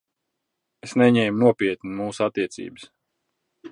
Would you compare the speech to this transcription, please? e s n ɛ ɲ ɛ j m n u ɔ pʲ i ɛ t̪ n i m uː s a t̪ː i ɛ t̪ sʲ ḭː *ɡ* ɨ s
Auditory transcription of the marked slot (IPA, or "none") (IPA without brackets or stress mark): b